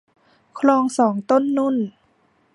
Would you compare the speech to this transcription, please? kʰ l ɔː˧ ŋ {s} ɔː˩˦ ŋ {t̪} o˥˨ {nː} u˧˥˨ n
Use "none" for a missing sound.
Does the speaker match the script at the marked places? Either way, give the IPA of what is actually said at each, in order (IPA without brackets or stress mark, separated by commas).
s, t̪, nː